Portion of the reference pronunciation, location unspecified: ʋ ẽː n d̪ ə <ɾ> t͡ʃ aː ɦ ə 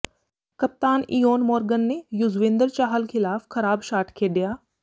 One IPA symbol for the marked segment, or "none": ɾ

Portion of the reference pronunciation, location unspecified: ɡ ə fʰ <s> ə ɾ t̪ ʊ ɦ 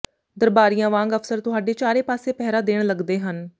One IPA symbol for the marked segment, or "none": s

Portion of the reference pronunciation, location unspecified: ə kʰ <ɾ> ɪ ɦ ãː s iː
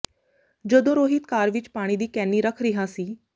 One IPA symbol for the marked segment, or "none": ɾ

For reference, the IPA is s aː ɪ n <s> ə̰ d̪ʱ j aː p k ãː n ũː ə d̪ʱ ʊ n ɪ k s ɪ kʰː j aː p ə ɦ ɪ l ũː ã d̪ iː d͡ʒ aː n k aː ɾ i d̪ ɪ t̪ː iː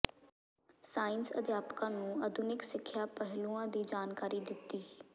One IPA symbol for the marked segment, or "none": s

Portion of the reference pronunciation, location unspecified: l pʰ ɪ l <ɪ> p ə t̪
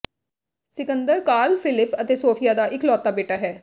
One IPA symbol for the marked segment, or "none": ɪ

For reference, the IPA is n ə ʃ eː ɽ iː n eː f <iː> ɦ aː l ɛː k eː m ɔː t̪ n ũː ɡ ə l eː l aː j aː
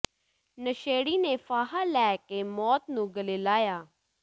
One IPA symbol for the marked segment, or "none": aː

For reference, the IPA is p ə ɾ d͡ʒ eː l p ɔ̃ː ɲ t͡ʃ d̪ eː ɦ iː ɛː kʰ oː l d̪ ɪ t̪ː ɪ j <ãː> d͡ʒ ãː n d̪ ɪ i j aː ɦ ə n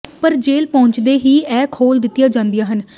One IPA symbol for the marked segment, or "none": aː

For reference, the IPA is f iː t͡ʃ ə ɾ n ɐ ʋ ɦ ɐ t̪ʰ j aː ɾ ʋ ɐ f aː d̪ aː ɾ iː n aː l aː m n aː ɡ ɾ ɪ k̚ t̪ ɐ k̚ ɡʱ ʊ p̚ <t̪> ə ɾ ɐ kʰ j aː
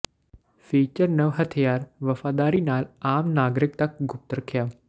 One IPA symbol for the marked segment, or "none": t̪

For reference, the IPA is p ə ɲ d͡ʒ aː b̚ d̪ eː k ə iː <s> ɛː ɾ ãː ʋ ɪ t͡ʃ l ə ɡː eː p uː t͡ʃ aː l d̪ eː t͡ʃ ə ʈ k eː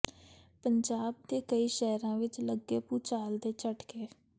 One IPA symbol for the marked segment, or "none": ʃ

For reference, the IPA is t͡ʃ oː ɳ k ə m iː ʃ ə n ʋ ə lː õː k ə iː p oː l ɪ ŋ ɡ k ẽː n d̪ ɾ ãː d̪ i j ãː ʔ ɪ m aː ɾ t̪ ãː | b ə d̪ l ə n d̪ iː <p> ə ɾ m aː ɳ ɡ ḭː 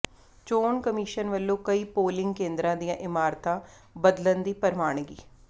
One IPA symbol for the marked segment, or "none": p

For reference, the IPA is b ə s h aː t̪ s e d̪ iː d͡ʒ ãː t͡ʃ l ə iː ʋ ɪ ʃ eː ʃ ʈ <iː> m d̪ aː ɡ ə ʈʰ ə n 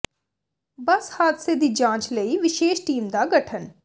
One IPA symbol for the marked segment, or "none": iː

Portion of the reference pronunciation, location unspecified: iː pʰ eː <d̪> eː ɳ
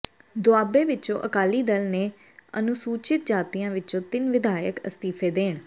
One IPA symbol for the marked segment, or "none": d̪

